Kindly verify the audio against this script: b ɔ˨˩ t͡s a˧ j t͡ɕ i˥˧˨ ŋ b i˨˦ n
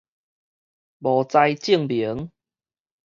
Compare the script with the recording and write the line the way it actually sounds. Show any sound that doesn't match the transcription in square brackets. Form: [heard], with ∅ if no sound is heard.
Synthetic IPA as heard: b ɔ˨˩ t͡s a˧ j t͡ɕ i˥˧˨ ŋ b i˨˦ [ŋ]